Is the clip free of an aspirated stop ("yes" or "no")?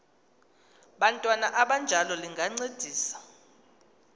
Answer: yes